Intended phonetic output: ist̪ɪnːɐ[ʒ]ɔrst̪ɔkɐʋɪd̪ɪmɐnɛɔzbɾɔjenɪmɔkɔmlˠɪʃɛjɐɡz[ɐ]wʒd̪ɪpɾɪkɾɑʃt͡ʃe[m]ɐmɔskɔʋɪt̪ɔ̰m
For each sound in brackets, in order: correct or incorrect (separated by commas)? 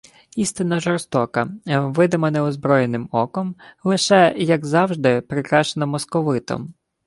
correct, incorrect, incorrect